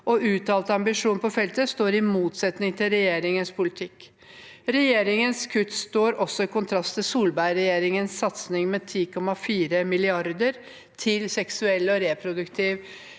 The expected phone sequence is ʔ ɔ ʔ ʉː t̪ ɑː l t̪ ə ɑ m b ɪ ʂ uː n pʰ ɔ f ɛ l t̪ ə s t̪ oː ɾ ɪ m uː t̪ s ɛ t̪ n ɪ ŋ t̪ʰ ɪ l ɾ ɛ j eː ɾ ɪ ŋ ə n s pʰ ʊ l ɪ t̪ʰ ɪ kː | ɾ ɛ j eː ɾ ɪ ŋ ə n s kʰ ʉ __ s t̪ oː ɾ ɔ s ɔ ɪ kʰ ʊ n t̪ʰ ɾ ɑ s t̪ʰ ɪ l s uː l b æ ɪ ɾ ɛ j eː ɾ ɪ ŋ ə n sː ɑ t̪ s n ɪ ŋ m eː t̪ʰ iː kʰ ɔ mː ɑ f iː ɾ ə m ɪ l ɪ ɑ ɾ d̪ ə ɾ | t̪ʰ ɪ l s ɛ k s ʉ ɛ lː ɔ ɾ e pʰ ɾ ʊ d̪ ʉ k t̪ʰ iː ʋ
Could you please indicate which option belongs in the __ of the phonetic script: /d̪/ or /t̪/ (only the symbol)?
t̪